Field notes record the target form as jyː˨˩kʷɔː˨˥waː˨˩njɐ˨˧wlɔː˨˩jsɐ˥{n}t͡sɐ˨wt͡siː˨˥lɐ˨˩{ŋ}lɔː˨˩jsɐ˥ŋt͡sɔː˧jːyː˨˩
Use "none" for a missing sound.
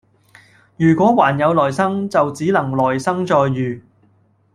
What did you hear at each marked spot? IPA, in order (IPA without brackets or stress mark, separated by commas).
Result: ŋ, ŋ